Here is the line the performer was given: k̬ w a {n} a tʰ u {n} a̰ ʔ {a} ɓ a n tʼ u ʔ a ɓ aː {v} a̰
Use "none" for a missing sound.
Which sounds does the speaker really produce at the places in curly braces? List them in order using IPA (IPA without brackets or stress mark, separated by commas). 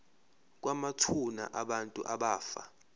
m, n, a, f